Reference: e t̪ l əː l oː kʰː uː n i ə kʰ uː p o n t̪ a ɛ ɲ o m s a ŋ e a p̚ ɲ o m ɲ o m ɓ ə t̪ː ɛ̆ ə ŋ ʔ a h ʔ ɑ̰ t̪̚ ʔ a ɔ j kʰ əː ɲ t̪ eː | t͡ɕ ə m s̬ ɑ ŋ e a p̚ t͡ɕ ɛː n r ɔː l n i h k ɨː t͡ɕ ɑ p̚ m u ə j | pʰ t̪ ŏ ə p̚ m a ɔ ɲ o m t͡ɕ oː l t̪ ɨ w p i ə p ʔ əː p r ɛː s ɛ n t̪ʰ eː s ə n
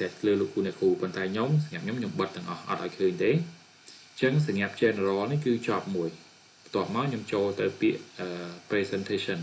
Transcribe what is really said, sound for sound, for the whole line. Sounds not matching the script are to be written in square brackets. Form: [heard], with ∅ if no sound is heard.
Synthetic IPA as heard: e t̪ l əː l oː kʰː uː n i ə kʰ uː p o n t̪ a ɛ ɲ o m s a ŋ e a p̚ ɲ o m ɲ o m ɓ ə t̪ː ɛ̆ ə ŋ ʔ [ɑ] h ʔ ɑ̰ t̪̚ ʔ a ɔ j kʰ əː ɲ t̪ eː | t͡ɕ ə [ŋ] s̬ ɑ ŋ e a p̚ t͡ɕ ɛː n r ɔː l n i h k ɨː t͡ɕ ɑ p̚ m u ə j | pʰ t̪ ŏ ə p̚ m a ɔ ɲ o m t͡ɕ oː l t̪ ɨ w p i ə [ʔ] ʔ əː p r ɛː s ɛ n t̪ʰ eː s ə n